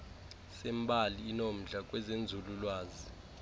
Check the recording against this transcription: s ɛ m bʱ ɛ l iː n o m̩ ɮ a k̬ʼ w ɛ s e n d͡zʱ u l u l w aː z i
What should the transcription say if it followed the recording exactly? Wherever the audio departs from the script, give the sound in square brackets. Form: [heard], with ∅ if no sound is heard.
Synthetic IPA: s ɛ m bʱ [a] l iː n o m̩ ɮ a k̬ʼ w ɛ [z] e n d͡zʱ u l u l w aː z i

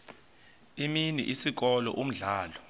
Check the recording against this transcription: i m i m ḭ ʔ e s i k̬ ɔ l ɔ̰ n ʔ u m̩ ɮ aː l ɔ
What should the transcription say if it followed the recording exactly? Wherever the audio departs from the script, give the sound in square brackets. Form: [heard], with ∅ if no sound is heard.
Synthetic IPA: i m i [n] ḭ ʔ [i] s i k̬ ɔ l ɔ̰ [∅] ʔ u m̩ ɮ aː l ɔ

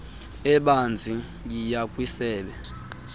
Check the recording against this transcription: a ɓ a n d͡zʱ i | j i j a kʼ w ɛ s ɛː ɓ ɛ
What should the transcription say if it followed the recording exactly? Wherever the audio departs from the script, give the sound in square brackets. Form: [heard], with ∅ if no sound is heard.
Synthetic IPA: [ɛ] ɓ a n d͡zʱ i | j i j a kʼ w [i] s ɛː ɓ ɛ

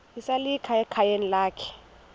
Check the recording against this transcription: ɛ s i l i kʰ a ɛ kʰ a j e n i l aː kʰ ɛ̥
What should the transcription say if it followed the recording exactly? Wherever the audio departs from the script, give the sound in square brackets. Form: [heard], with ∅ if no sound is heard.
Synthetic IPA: [i] s [a] l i kʰ a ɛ kʰ a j e n i l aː kʰ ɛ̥

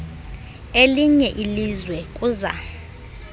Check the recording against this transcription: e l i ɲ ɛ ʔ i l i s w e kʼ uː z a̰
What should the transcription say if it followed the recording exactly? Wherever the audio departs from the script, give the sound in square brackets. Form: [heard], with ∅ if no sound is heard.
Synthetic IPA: e l i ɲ ɛ ʔ i l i [z] w [ɛ] kʼ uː z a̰

